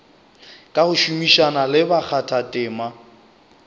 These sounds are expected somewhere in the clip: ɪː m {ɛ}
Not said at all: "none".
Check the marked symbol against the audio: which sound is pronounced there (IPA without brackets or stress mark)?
a